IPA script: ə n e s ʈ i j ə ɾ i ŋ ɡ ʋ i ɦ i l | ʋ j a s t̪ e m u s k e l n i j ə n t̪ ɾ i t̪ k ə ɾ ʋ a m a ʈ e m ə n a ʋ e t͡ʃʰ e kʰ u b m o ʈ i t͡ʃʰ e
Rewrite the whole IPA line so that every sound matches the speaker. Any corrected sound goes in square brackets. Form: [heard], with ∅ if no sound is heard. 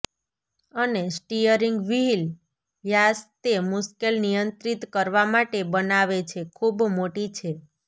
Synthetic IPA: ə n e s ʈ i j ə ɾ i ŋ ɡ ʋ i ɦ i l | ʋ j a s t̪ e m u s k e l n i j ə n t̪ ɾ i t̪ k ə ɾ ʋ a m a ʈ e [b] ə n a ʋ e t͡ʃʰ e kʰ u b m o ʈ i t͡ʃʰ e